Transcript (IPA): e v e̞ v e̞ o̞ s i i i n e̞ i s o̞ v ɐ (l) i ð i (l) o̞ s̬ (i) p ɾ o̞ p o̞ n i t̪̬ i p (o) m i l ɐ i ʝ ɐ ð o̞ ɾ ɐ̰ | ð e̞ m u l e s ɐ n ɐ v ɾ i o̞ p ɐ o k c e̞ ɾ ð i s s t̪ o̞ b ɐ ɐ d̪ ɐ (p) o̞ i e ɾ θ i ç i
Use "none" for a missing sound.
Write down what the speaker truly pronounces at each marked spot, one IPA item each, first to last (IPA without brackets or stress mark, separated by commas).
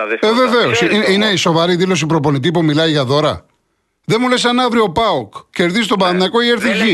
ɾ, l, i, u, k